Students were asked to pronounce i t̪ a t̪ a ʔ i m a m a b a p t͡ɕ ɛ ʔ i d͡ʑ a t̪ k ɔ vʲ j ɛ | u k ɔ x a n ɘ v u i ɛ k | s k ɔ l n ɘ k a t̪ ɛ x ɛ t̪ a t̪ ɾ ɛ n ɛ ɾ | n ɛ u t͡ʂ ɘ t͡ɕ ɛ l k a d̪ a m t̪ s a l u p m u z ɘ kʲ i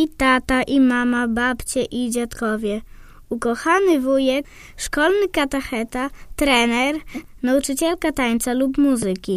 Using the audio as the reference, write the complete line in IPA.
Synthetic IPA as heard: i t̪ a t̪ a ʔ i m a m a b a p t͡ɕ ɛ ʔ i d͡ʑ a t̪ k ɔ vʲ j ɛ | u k ɔ x a n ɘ v u j ɛ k | ʂ k ɔ l n ɘ k a t̪ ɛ x ɛ t̪ a t̪ ɾ ɛ n ɛ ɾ | n a u t͡ʂ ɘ t͡ɕ ɛ l k a t̪ a ɲ t̪ s a l u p m u z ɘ kʲ i